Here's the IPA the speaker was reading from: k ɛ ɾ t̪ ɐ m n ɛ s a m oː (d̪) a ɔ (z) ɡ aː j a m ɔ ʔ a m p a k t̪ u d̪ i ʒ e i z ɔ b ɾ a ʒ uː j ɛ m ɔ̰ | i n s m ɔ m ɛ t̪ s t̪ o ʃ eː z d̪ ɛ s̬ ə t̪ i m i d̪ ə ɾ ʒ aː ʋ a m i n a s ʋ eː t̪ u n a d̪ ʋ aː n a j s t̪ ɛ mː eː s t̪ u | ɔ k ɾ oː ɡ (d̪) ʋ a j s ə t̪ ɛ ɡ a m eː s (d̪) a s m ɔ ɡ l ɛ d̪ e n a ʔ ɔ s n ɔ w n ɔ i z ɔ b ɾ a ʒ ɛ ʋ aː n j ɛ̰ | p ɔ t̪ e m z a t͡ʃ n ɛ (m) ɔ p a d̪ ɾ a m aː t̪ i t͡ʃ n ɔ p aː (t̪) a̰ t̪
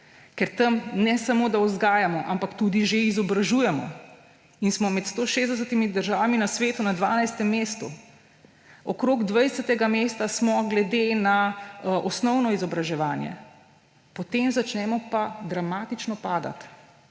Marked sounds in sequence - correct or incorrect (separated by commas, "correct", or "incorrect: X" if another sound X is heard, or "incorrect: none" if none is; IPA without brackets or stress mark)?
correct, correct, correct, incorrect: t̪, correct, incorrect: d̪